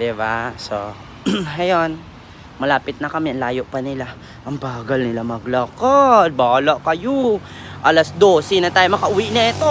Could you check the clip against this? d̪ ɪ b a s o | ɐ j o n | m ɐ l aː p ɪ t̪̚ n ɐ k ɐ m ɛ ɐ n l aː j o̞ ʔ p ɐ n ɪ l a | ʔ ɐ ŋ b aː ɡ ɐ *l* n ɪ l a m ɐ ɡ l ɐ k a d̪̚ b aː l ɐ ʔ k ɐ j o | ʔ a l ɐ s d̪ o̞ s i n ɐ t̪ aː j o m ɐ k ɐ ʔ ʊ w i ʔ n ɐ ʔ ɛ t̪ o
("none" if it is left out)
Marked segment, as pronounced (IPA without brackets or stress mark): l